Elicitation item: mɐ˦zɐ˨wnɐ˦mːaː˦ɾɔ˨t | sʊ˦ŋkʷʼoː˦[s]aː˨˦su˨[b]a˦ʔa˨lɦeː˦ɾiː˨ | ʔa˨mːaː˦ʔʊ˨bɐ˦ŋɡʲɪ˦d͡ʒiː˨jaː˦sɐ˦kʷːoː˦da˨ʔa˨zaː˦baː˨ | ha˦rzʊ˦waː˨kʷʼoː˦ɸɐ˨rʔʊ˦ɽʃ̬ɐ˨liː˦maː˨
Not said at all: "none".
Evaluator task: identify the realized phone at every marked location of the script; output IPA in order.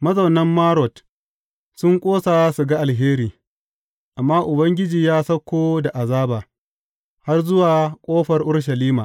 s, ɡ

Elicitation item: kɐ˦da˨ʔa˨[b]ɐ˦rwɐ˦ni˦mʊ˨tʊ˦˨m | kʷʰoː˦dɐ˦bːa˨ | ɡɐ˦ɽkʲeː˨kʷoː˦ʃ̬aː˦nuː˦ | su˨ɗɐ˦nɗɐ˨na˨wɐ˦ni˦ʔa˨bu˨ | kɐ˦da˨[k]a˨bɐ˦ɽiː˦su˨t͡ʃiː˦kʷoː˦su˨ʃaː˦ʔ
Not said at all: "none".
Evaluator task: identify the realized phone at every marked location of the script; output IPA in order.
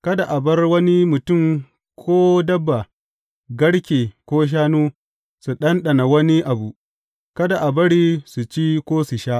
b, ʔ

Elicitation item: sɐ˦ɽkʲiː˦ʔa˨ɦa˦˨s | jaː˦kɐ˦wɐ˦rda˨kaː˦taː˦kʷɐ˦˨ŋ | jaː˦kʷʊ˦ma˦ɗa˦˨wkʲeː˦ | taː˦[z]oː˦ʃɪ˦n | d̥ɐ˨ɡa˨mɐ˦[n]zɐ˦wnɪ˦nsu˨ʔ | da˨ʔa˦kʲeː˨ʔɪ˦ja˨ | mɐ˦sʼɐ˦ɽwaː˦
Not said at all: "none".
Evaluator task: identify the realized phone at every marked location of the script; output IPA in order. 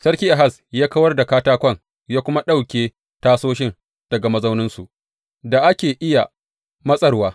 s, none

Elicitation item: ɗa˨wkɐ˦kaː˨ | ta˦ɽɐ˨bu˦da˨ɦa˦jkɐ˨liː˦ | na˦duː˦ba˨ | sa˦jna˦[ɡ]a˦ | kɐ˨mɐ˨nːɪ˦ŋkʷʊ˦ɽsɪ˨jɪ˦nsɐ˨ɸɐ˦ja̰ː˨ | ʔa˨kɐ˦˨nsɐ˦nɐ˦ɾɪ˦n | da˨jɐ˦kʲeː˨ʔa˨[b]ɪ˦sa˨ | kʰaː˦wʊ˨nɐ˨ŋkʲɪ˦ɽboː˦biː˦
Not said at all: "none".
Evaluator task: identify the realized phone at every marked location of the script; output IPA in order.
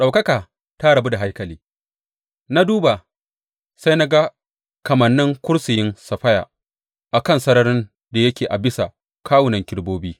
ɡ, b

